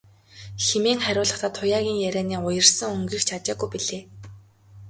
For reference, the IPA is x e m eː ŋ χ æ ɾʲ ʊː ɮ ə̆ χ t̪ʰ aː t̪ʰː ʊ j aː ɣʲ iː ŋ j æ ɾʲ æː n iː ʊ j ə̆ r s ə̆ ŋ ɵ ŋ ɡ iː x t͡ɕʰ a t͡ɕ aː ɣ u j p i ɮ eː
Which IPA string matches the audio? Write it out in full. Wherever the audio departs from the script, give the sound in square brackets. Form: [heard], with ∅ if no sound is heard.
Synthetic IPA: x e m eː ŋ χ æ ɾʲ ʊː ɮ ə̆ χ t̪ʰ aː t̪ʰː ʊ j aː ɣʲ iː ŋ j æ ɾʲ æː n iː ʊ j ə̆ r s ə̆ ŋ ɵ ŋ ɡ iː x t͡ɕʰ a t͡ɕ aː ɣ u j p i ɮ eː